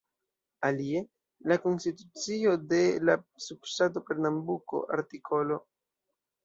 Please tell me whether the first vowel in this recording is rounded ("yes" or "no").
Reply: no